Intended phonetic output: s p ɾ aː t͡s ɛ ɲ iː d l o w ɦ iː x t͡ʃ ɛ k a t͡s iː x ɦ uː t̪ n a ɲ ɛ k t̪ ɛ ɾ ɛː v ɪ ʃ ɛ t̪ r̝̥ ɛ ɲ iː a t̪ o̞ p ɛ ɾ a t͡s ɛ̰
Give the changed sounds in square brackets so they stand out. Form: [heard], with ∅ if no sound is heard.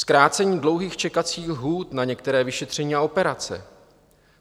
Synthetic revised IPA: s [k] ɾ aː t͡s ɛ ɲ iː d l o w ɦ iː x t͡ʃ ɛ k a t͡s iː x ɦ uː t̪ n a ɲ ɛ k t̪ ɛ ɾ ɛː v ɪ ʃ ɛ t̪ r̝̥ ɛ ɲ iː a [∅] o̞ p ɛ ɾ a t͡s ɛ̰